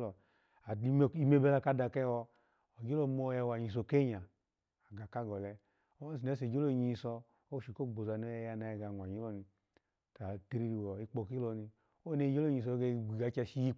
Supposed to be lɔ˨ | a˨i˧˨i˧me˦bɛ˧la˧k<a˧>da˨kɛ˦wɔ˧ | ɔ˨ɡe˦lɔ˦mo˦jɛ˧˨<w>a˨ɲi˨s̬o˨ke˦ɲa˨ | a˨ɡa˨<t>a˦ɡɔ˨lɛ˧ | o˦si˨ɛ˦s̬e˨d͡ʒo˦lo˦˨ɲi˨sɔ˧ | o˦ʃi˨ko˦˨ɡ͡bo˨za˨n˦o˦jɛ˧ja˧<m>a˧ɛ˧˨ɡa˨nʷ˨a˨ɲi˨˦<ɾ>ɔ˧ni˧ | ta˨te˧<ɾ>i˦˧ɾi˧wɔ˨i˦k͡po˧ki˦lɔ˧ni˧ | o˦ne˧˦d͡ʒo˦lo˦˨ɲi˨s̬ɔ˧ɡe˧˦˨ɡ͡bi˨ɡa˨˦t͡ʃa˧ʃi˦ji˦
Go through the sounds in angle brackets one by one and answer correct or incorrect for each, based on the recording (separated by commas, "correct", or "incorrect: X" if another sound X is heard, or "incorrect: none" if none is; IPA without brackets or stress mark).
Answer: correct, correct, incorrect: k, incorrect: n, incorrect: l, correct